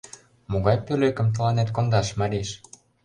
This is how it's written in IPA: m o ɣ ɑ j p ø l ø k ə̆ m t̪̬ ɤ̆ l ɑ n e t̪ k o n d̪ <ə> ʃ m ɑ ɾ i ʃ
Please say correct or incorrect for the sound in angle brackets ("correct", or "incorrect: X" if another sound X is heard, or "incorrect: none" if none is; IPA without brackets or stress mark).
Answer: incorrect: ɑ